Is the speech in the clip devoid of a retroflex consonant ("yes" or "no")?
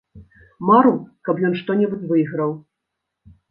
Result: no